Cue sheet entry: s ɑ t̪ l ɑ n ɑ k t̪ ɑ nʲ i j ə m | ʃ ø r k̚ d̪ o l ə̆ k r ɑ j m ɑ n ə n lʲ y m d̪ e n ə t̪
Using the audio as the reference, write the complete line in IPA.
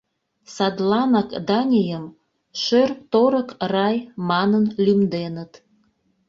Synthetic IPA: s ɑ d̪ l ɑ n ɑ k d̪ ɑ nʲ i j ə m | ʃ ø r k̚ t̪ o ɾ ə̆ k r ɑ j m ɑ n ə n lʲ y m d̪ e n ə t̪